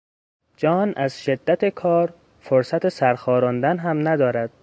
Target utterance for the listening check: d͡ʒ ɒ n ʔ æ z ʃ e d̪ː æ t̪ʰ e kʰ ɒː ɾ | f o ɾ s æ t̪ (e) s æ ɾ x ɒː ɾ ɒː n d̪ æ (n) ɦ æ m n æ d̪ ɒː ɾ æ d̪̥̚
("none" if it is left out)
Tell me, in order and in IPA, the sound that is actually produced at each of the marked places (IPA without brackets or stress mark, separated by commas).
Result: e, n